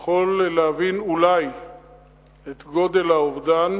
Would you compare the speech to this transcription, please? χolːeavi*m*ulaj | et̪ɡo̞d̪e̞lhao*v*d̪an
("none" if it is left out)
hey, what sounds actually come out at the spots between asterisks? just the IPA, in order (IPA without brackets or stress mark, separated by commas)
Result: n, v